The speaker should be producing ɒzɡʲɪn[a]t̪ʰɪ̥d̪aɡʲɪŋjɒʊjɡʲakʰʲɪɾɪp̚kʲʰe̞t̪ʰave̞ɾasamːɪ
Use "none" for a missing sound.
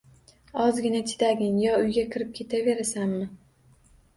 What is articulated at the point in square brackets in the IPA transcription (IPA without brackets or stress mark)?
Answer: a